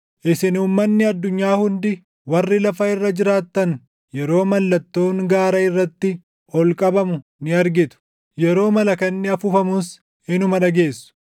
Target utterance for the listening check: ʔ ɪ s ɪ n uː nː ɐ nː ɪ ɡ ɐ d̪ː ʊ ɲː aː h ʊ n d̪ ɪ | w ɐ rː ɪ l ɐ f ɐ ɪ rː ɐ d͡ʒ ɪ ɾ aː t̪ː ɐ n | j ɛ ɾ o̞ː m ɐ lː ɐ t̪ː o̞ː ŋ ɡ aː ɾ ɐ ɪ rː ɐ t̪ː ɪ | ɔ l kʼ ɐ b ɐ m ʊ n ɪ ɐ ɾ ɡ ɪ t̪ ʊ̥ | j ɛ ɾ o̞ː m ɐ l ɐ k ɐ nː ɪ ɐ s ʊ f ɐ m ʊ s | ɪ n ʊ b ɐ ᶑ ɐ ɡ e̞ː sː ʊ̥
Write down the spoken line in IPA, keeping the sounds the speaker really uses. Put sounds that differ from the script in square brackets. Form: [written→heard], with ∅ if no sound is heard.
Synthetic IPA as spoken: ʔ ɪ s ɪ n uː [nː→mː] ɐ nː ɪ [ɡ→∅] ɐ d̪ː ʊ ɲː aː h ʊ n d̪ ɪ | w ɐ rː ɪ l ɐ f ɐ ɪ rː ɐ d͡ʒ ɪ ɾ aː t̪ː ɐ n | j ɛ ɾ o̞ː m ɐ lː ɐ t̪ː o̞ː ŋ ɡ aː ɾ ɐ ɪ rː ɐ t̪ː ɪ | ɔ l kʼ ɐ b ɐ m ʊ n ɪ ɐ ɾ ɡ ɪ t̪ ʊ̥ | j ɛ ɾ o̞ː m ɐ l ɐ k ɐ nː ɪ ɐ [s→f] ʊ f ɐ m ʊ s | ɪ n ʊ [b→m] ɐ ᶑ ɐ ɡ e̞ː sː ʊ̥